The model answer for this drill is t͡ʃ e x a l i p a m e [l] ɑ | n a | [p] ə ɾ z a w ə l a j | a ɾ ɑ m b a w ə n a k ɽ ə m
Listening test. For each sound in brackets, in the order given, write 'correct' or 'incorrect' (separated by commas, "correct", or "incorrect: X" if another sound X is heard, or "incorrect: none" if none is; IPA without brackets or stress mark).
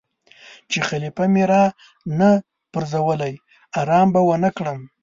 incorrect: ɾ, correct